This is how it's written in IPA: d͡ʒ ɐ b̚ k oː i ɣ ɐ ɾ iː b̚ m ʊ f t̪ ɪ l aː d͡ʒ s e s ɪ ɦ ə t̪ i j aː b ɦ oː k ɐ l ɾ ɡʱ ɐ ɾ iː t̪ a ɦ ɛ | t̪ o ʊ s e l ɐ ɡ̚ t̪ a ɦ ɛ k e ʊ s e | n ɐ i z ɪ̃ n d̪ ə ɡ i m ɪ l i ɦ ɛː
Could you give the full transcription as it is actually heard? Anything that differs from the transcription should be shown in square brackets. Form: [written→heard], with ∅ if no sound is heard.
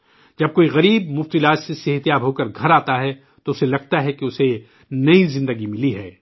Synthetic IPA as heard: d͡ʒ ɐ b̚ k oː i ɣ ɐ ɾ iː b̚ m ʊ f t̪ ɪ l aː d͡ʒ s e s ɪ ɦ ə t̪ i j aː b ɦ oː k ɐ [l→∅] ɾ ɡʱ ɐ ɾ [iː→aː] t̪ a ɦ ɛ | t̪ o ʊ s e l ɐ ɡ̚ t̪ a ɦ ɛ k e ʊ s e | n ɐ i z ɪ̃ n d̪ ə ɡ i m ɪ l i ɦ ɛː